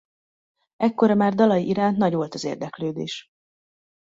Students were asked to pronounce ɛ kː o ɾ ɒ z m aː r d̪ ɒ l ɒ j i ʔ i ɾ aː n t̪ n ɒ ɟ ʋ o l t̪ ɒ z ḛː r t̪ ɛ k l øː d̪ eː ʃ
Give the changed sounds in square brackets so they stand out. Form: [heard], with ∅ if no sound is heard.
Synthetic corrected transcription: ɛ kː o ɾ ɒ [∅] m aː r d̪ ɒ l ɒ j i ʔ i ɾ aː n t̪ n ɒ ɟ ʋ o l t̪ ɒ z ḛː r [d̪] ɛ k l øː d̪ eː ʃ

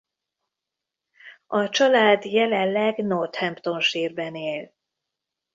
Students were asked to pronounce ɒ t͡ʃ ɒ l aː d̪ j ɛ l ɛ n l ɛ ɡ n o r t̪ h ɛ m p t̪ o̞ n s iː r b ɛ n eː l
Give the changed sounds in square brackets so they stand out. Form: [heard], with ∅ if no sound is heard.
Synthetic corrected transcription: ɒ t͡ʃ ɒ l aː d̪ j ɛ l ɛ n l ɛ ɡ n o r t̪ h ɛ m p t̪ o̞ n [ʃ] iː r b ɛ n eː l

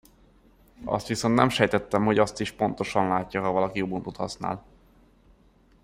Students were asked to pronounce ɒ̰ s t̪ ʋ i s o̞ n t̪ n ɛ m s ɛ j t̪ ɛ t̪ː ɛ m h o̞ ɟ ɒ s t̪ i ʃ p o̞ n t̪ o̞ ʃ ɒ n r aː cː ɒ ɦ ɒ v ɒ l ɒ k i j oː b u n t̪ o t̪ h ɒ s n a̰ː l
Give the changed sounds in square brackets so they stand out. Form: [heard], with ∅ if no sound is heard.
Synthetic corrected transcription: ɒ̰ s t̪ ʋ i s o̞ n t̪ n ɛ m [ʃ] ɛ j t̪ ɛ t̪ː ɛ m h o̞ ɟ ɒ s t̪ i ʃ p o̞ n t̪ o̞ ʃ ɒ n [l] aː cː ɒ ɦ ɒ v ɒ l ɒ k i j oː b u n t̪ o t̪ h ɒ s n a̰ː l

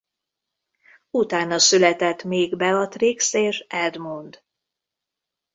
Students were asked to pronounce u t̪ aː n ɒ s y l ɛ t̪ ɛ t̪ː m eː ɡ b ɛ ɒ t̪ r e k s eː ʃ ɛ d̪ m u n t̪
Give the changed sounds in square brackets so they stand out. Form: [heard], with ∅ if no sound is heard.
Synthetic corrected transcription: u t̪ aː n ɒ s y l ɛ t̪ ɛ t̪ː m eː ɡ b ɛ ɒ t̪ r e k s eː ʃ ɛ d̪ m u n [d̪]

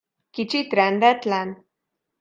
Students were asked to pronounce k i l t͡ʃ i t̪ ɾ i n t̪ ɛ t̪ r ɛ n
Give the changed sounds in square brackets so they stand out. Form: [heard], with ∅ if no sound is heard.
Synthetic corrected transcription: k i [∅] t͡ʃ i t̪ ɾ [ɛ] n [d̪] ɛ t̪ [l] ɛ n

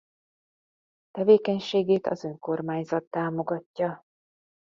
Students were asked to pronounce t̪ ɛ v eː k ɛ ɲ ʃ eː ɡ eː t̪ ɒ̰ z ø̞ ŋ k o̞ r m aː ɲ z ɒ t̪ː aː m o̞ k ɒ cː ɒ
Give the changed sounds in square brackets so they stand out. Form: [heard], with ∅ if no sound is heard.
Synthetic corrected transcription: t̪ ɛ v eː k ɛ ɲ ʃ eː ɡ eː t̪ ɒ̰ z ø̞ ŋ k o̞ r m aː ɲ z ɒ t̪ː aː m o̞ [ɡ] ɒ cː ɒ

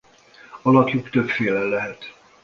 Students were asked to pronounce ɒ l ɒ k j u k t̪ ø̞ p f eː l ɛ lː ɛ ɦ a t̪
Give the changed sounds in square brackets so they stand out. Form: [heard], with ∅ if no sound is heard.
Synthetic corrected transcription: ɒ l ɒ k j u k t̪ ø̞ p f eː l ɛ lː ɛ ɦ [ɛ] t̪

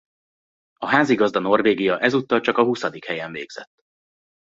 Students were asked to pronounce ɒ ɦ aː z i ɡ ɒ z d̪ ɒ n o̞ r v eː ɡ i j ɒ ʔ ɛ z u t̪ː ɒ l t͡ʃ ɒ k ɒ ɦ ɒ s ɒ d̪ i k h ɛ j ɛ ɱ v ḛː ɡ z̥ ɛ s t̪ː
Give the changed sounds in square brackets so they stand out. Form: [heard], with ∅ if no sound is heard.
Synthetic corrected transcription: ɒ ɦ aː z i ɡ ɒ z d̪ ɒ n o̞ r v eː ɡ i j ɒ ʔ ɛ z u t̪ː ɒ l t͡ʃ ɒ k ɒ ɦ [u] s ɒ d̪ i k h ɛ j ɛ ɱ v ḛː ɡ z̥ ɛ [∅] t̪ː

